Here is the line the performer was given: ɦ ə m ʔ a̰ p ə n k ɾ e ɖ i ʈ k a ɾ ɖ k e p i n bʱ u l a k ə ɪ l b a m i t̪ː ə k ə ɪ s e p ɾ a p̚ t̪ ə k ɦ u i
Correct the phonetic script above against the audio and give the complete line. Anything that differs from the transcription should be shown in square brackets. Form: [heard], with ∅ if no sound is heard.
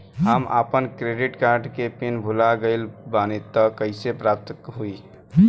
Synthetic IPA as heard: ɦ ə m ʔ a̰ p ə n k ɾ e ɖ i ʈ k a ɾ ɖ k e p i n bʱ u l a [ɡ] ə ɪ l b a [n] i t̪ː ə k ə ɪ s e p ɾ a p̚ t̪ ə k ɦ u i